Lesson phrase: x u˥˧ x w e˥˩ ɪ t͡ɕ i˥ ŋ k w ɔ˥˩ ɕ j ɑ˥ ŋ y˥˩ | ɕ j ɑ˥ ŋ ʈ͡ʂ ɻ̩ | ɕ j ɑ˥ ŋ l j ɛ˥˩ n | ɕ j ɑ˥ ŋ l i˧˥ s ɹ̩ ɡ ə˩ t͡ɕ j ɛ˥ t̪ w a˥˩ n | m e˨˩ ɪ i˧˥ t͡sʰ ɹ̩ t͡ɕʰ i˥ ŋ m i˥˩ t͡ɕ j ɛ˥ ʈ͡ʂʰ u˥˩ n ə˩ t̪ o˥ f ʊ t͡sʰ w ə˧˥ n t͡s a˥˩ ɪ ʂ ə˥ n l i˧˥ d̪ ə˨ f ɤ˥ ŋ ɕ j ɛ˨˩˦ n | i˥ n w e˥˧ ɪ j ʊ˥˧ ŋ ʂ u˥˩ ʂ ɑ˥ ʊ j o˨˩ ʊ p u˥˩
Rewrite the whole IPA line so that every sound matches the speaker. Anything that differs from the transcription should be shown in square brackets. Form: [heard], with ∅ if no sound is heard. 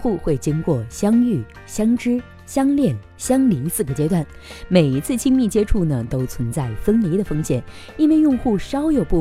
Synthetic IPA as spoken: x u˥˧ x w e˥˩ ɪ t͡ɕ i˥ ŋ k w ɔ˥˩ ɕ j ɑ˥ ŋ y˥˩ | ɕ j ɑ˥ ŋ ʈ͡ʂ ɻ̩ | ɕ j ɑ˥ ŋ l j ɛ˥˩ n | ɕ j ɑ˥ ŋ l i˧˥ s ɹ̩ ɡ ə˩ t͡ɕ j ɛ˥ t̪ w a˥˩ n | m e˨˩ ɪ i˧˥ t͡sʰ ɹ̩ t͡ɕʰ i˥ ŋ m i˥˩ t͡ɕ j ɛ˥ ʈ͡ʂʰ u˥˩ n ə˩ t̪ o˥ [∅] ʊ t͡sʰ w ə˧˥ n t͡s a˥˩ ɪ [f] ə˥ n l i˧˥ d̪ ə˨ f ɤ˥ ŋ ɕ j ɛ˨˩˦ n | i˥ n w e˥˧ ɪ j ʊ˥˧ ŋ [x] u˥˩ ʂ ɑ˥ ʊ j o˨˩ ʊ p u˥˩